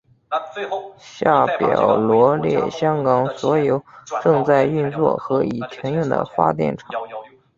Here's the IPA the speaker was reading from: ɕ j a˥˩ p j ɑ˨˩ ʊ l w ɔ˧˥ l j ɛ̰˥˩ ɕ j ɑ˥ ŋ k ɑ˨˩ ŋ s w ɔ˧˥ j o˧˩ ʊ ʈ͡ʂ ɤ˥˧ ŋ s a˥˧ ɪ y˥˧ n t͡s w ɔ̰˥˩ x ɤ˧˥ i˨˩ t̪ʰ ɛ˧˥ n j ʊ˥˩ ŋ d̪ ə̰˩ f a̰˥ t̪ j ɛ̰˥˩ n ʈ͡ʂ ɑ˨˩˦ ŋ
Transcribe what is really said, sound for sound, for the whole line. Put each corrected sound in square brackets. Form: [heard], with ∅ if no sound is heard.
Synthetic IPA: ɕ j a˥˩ p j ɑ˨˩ ʊ l w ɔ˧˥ l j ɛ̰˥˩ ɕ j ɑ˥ ŋ k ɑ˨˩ ŋ s w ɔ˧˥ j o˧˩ ʊ ʈ͡ʂ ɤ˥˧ ŋ [t͡s] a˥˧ ɪ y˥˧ n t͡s w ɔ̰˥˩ x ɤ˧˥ i˨˩ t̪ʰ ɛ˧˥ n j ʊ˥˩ ŋ d̪ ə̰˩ f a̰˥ t̪ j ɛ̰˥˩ n [ʈ͡ʂʰ] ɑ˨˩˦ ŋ